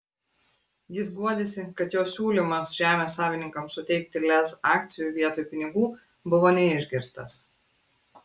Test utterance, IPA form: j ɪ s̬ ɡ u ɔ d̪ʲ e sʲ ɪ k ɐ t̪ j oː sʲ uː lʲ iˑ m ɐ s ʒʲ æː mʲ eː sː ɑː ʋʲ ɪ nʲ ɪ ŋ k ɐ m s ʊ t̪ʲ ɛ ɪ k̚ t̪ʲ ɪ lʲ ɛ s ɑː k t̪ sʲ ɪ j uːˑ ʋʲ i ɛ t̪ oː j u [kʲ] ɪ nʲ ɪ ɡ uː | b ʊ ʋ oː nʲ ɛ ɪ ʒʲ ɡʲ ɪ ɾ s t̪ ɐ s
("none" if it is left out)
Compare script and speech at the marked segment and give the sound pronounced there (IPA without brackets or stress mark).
pʲ